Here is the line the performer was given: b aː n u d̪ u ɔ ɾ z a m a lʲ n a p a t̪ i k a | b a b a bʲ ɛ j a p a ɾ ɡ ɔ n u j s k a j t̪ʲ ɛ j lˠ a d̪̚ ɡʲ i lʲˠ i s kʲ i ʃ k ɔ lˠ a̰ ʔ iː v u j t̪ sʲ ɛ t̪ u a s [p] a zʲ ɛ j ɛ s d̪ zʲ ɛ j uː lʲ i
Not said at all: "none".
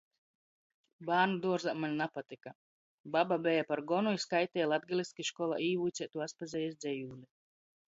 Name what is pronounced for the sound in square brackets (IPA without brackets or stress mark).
p